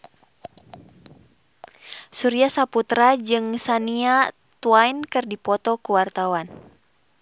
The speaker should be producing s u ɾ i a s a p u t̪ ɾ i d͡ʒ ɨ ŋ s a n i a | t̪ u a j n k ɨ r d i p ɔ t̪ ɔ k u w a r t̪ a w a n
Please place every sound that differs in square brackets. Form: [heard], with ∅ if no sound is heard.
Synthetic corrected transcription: s u ɾ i a s a p u t̪ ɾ [a] d͡ʒ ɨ ŋ s a n i a | t̪ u a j n k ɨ r d i p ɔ t̪ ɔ k u w a r t̪ a w a n